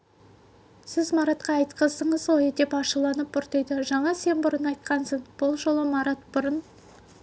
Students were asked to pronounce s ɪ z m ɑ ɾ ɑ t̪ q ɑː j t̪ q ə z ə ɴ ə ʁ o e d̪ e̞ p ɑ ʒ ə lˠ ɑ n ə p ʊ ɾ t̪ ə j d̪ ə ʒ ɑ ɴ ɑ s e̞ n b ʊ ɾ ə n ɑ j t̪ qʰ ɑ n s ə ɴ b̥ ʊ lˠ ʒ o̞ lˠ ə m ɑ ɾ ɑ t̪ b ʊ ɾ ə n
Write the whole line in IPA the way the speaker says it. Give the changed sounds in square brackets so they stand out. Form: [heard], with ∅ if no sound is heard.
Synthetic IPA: s ɪ z m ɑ ɾ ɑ t̪ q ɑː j t̪ q ə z ə ɴ ə [z] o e d̪ e̞ p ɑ [ʃ] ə lˠ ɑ n ə p ʊ ɾ t̪ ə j d̪ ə ʒ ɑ ɴ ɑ s e̞ n b ʊ ɾ ə n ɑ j t̪ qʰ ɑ n s ə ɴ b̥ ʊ lˠ ʒ o̞ lˠ ə m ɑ ɾ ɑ t̪ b ʊ ɾ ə n